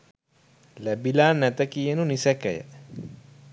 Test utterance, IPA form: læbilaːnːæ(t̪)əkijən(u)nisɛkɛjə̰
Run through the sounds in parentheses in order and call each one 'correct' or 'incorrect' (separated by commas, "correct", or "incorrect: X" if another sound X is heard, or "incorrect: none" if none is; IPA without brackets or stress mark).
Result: correct, correct